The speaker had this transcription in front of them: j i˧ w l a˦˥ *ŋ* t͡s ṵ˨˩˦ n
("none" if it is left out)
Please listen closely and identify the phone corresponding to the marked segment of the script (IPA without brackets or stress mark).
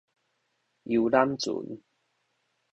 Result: m